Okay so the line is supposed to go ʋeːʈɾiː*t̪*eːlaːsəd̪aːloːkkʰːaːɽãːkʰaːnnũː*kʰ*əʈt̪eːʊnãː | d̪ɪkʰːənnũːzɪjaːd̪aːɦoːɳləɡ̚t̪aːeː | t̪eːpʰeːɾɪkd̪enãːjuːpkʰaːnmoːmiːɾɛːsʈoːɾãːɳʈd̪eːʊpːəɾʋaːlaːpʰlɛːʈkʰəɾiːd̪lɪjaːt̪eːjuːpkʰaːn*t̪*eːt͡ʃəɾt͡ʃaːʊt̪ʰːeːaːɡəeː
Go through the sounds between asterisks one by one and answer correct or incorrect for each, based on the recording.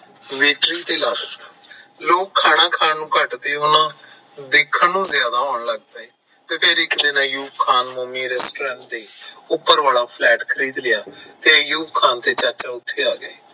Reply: correct, incorrect, correct

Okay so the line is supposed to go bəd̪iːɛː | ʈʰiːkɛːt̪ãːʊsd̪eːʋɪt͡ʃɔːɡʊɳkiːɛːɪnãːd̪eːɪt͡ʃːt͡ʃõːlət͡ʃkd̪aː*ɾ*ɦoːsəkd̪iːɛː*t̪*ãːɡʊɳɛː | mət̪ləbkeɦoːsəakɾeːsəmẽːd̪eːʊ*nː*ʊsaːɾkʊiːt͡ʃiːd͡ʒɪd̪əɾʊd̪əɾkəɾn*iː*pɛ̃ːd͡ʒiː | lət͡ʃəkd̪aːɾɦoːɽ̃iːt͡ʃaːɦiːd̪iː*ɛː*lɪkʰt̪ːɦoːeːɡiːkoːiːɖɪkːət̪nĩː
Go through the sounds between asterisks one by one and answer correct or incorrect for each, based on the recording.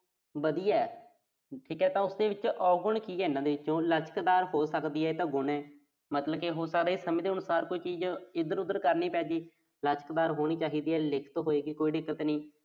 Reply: correct, correct, incorrect, correct, correct

